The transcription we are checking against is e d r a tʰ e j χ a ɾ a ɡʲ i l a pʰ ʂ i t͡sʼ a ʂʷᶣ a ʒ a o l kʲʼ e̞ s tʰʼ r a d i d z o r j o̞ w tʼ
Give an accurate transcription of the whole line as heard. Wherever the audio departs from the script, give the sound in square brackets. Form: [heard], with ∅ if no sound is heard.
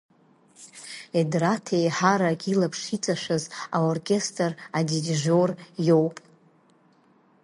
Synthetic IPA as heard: e d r a tʰ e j [ħ] a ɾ a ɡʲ i l a pʰ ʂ i t͡sʼ a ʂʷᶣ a [z] a o [r] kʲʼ e̞ s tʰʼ r a d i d [ʒ] o r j o̞ w [pʼ]

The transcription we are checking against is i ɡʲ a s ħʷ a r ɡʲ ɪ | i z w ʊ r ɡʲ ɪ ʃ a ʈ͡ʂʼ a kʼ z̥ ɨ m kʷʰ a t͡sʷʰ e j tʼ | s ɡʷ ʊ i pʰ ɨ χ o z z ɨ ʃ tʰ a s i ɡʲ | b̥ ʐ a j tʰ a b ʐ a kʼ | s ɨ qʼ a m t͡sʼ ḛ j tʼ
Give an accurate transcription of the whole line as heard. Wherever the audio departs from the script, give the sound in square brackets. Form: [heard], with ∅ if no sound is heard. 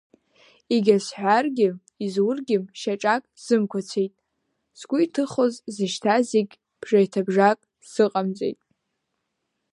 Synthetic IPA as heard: i ɡʲ a s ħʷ a r ɡʲ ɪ | i z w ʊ r ɡʲ ɪ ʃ a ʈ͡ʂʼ a kʼ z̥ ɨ m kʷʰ a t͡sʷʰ e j tʼ | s ɡʷ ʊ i [tʰ] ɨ χ o z z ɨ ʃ tʰ a [z] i ɡʲ | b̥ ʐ a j tʰ a b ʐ a kʼ | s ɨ qʼ a m t͡sʼ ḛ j tʼ

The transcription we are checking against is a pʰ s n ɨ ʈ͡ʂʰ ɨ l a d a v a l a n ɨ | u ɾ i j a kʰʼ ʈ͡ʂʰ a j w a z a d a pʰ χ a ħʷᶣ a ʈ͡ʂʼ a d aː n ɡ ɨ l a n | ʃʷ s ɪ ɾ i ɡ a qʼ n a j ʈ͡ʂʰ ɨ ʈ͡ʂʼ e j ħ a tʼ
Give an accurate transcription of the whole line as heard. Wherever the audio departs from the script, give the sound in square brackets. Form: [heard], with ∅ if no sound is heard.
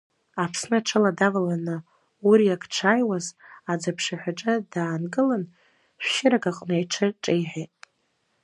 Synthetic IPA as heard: a pʰ s n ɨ ʈ͡ʂʰ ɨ l a d a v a l a n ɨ | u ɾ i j a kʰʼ ʈ͡ʂʰ a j w a z a [d͡z] a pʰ [ʂ] a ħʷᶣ a ʈ͡ʂʼ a d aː n ɡ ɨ l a n | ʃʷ [ʃ] ɪ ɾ [a] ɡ a qʼ n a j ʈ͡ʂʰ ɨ ʈ͡ʂʼ e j ħ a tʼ

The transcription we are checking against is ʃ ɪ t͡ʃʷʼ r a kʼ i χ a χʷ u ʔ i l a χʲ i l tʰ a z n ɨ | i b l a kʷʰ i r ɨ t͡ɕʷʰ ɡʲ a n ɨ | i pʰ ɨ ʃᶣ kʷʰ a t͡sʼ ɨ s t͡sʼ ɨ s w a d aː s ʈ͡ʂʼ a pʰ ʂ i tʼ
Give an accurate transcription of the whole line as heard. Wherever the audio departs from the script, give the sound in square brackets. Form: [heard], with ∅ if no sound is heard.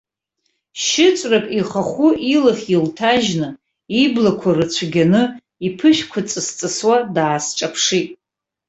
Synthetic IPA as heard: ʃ ɪ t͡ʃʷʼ r a kʼ i χ a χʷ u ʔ i l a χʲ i l tʰ a [ʒ] n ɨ | i b l a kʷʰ [a] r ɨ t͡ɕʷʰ ɡʲ a n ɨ | i pʰ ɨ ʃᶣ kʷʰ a t͡sʼ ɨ s t͡sʼ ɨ s w a d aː s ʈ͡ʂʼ a pʰ ʂ i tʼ

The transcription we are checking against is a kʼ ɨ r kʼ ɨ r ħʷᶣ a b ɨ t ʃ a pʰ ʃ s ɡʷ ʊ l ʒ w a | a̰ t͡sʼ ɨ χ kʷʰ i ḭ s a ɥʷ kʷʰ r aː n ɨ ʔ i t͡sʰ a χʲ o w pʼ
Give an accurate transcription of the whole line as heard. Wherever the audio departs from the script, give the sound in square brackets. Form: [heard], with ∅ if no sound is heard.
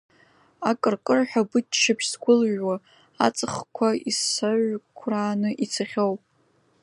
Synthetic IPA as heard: a kʼ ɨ r kʼ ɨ r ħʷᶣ a b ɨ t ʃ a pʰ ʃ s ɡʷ ʊ l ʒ w a | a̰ t͡sʼ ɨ χ kʷʰ [a] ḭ s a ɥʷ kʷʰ r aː n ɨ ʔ i t͡sʰ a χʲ o w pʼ

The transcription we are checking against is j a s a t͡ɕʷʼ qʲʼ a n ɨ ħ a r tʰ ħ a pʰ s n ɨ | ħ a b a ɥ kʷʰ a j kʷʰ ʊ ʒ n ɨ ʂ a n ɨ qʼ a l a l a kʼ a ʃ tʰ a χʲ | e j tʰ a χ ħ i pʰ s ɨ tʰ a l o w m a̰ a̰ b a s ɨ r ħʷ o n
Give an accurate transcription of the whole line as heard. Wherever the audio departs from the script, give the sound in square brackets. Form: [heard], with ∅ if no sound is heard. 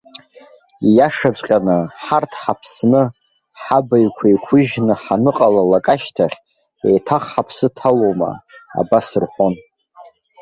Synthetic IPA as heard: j a [ʂ] a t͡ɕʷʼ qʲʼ a n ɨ ħ a r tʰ ħ a pʰ s n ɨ | ħ a b a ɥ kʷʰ a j kʷʰ ʊ ʒ n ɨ [ħ] a n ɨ qʼ a l a l a kʼ a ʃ tʰ a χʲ | e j tʰ a χ ħ [a] pʰ s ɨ tʰ a l o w m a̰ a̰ b a s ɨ r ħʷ o n

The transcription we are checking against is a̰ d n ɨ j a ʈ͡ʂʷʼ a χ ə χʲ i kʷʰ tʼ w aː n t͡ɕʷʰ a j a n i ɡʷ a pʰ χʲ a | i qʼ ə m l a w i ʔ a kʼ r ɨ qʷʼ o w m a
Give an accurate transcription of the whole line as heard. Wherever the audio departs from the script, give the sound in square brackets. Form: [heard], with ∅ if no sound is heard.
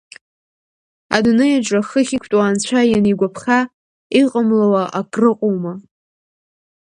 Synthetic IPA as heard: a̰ d n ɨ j a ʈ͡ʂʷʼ a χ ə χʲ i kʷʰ tʼ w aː n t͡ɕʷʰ a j a n i ɡʷ a pʰ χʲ a | i qʼ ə m l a w [a] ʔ a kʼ r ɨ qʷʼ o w m a

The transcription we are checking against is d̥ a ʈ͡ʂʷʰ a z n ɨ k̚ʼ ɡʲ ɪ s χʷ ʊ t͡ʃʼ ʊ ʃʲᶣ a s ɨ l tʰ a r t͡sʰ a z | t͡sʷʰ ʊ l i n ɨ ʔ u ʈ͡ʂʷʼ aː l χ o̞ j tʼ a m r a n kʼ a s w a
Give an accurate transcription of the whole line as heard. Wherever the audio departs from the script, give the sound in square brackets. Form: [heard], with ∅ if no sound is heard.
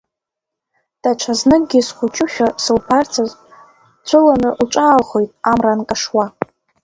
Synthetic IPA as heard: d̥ a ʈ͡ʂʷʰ a z n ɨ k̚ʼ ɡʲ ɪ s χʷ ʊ t͡ʃʼ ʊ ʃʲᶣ a s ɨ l [pʰ] a r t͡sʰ a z | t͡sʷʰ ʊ l [a] n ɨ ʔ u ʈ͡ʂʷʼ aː l χ o̞ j tʼ a m r a n kʼ a [ʂ] w a

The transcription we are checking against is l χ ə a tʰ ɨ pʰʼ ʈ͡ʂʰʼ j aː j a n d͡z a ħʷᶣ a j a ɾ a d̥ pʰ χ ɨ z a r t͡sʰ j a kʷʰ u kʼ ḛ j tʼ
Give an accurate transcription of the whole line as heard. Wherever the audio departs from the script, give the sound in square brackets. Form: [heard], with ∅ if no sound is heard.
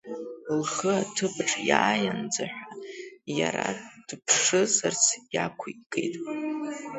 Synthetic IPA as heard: l χ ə a tʰ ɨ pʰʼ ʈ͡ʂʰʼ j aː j a n d͡z a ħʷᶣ a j a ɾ a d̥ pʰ [ʂ] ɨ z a r t͡sʰ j a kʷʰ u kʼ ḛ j tʼ

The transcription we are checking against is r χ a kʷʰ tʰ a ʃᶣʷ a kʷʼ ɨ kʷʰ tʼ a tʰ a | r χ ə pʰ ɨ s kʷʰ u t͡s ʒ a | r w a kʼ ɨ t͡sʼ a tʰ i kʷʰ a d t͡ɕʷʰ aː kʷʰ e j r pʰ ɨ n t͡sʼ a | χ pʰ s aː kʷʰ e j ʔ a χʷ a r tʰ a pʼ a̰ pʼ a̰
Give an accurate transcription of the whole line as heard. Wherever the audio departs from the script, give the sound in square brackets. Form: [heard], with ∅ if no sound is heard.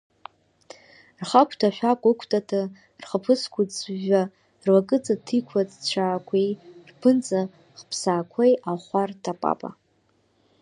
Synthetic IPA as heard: r χ a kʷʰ tʰ a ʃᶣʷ a kʷʼ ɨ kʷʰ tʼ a tʰ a | r χ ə pʰ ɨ s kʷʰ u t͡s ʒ a | r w a kʼ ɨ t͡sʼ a tʰ i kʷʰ a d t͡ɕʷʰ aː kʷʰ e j r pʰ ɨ n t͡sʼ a | χ pʰ s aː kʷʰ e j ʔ a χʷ a r tʰ a pʼ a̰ pʼ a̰

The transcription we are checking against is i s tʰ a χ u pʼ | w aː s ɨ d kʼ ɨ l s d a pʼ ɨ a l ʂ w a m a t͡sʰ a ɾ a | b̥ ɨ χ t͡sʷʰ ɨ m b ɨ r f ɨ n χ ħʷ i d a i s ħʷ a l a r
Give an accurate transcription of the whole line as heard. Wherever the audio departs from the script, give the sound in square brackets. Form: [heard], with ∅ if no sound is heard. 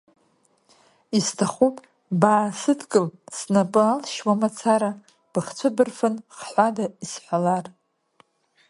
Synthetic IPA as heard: i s tʰ a χ u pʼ | [b] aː s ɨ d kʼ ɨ l s [n] a pʼ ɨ a l [ʃ] w a m a t͡sʰ a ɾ a | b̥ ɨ χ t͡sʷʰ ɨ [∅] b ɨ r f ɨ n χ ħʷ [a] d a i s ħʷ a l a r

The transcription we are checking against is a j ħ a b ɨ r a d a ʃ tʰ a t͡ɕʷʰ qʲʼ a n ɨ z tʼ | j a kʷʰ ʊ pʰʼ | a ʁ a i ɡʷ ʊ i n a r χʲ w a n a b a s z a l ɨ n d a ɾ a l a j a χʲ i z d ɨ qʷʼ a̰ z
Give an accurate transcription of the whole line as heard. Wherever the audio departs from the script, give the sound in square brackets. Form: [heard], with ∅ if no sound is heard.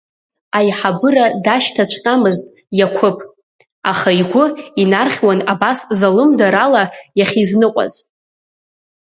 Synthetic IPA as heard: a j ħ a b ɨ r a d a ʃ tʰ a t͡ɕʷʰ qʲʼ a [m] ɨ z tʼ | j a kʷʰ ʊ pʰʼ | a [χ] a i ɡʷ ʊ i n a r χʲ w a n a b a s z a l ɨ [m] d a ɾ a l a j a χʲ i z [n] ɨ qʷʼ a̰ z

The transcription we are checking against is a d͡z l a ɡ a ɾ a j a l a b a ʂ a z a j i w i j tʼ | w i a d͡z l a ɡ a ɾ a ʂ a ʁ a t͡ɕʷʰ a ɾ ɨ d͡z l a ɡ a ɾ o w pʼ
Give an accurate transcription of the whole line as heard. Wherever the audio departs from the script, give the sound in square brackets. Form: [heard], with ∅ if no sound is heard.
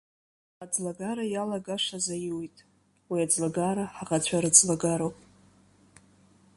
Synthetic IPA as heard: a d͡z l a ɡ a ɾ a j a l a [ɡ] a ʂ a z a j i w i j tʼ | w i a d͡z l a ɡ a ɾ a [ħ] a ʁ a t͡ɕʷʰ a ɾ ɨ d͡z l a ɡ a ɾ o w pʼ

